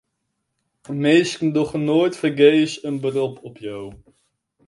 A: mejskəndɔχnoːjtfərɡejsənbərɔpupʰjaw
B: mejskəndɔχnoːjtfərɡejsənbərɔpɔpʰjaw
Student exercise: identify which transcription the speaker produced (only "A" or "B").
B